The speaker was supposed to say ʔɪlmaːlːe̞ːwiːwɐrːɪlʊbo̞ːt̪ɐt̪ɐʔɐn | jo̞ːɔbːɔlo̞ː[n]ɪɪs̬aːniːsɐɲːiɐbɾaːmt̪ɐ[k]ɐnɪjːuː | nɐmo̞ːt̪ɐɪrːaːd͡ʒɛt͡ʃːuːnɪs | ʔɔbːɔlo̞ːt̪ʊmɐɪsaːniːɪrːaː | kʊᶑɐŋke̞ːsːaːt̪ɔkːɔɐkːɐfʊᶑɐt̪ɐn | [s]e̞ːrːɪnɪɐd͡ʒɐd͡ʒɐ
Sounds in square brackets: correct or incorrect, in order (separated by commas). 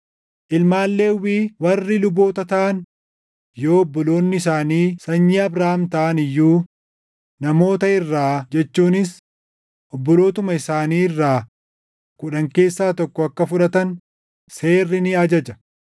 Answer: incorrect, incorrect, correct